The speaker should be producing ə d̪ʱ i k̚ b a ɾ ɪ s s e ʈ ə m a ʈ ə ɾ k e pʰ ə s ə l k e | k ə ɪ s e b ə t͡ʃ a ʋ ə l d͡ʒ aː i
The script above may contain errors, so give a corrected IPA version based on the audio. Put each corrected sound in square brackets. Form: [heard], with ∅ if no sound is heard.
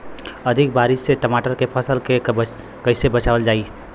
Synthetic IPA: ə d̪ʱ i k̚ b a ɾ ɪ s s e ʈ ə m a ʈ ə ɾ k e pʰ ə s ə l k e | k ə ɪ s e b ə t͡ʃ a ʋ ə l d͡ʒ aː i